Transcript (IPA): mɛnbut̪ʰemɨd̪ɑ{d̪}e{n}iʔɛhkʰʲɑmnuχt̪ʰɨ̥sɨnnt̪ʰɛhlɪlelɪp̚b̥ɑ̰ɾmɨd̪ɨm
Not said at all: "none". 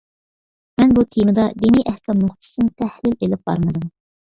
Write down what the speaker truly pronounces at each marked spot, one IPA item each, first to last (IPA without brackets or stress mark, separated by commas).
d̪, n